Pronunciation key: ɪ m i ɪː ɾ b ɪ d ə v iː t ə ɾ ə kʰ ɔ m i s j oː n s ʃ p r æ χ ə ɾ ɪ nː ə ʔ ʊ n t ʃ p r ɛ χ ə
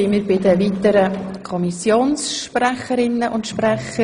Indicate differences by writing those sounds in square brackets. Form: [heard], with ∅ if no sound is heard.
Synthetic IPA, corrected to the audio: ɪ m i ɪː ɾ b ɪ d ə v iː t ə ɾ ə kʰ ɔ m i s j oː n s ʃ p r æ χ ə ɾ ɪ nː ə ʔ ʊ n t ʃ p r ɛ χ ə

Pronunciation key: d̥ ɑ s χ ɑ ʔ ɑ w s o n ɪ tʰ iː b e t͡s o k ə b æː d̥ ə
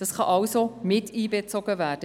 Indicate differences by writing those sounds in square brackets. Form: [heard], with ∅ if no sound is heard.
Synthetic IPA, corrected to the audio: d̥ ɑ s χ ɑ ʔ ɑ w s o [m] ɪ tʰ iː b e t͡s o [ɡ] ə [v] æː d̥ ə

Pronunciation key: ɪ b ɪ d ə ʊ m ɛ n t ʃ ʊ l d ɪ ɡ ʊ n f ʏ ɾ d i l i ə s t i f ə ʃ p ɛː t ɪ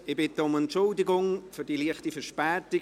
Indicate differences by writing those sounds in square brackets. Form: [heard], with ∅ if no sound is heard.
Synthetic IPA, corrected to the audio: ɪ b ɪ [t] ə ʊ m ɛ n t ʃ ʊ l d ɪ ɡ ʊ [ŋ] f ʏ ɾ d i l i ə [χ] t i f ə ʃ p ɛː t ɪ

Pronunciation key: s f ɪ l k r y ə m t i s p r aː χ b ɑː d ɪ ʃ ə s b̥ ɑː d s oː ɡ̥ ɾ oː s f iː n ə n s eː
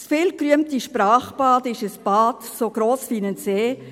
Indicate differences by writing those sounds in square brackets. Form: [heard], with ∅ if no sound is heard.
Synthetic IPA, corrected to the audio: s f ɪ l k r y ə m t i [ʃ] p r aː χ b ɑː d ɪ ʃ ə s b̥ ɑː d s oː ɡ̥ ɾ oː s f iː n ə n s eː

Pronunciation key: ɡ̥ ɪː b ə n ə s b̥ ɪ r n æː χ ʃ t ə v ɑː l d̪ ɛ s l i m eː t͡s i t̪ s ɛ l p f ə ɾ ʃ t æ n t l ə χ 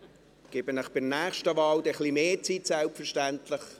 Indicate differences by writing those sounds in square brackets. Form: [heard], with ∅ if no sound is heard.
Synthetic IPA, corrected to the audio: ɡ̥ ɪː b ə n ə [χ] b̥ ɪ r n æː χ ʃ t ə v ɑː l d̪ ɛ [χ] l i m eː t͡s i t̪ s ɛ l p f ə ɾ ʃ t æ n t l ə χ

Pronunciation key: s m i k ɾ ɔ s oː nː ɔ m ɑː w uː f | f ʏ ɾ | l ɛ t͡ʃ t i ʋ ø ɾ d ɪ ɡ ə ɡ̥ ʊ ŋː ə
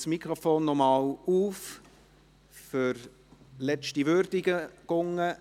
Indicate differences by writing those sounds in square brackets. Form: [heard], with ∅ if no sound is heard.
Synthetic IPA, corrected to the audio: s m i k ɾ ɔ [f] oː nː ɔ m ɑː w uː f | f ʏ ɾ | l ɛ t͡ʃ t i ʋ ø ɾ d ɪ ɡ ə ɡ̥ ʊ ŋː ə

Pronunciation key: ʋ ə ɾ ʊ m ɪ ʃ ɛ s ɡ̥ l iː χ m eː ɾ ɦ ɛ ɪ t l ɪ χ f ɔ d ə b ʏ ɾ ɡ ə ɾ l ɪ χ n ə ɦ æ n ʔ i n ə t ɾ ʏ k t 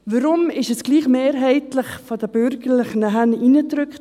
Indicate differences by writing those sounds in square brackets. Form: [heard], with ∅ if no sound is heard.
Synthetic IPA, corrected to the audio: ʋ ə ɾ ʊ m ɪ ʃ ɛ s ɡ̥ l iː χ m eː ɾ ɦ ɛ ɪ t l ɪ χ f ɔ d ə b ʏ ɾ ɡ ə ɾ l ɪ χ n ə ɦ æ n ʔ i n ə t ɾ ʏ k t

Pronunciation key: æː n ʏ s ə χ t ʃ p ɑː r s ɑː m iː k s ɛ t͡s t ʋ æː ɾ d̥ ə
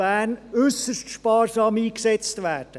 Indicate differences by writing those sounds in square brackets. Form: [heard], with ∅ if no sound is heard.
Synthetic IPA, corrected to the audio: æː n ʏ s ə [ʃ] t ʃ p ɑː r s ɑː m iː k s ɛ t͡s t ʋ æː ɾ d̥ ə

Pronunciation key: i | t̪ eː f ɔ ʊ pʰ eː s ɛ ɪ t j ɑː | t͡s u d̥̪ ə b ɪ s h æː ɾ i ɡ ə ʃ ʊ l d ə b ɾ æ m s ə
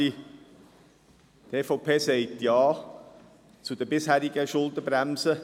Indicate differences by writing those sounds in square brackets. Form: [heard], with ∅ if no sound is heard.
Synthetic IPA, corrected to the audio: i | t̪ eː f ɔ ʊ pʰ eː s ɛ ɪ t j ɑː | t͡s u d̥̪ ə b ɪ s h æː ɾ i ɡ ə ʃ ʊ l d ə b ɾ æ m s ə

